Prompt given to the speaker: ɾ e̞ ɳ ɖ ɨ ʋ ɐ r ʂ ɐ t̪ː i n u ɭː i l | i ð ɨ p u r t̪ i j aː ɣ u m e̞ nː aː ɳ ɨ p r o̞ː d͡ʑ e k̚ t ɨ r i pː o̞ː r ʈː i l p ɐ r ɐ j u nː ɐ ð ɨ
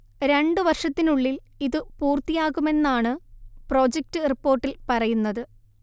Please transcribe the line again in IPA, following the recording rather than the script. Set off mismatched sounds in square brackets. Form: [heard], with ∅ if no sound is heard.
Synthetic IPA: ɾ e̞ ɳ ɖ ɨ ʋ ɐ r ʂ ɐ t̪ː i n u ɭː i l | i ð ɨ p [uː] r t̪ i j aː ɣ u m e̞ nː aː ɳ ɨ p r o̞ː d͡ʑ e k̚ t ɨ r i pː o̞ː r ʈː i l p ɐ r ɐ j u nː ɐ ð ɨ